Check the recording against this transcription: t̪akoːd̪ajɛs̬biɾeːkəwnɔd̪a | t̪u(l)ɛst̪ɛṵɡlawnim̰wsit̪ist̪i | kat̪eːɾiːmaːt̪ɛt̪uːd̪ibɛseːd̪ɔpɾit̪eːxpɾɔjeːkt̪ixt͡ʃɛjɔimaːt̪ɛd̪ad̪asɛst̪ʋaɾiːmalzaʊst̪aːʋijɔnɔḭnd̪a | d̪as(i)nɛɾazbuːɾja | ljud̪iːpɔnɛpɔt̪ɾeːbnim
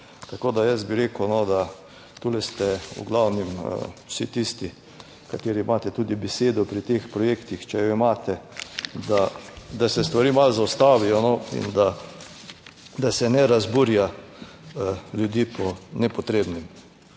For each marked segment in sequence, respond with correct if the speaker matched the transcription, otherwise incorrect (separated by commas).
correct, incorrect